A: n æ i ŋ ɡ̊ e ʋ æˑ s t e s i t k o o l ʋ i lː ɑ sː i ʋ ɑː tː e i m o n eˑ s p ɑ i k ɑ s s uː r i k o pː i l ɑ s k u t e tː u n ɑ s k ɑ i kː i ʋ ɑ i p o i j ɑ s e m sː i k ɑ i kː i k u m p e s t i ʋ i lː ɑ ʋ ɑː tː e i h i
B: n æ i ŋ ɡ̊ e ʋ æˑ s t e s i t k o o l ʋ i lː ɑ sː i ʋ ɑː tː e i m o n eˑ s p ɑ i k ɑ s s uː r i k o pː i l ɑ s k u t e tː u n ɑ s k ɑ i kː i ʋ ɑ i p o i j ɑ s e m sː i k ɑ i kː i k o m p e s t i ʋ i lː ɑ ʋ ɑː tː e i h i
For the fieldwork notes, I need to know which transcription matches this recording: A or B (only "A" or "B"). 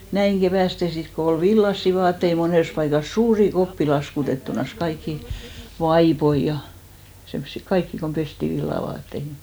B